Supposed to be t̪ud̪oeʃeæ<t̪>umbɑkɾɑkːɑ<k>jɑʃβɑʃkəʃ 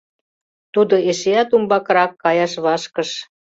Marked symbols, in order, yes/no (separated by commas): yes, no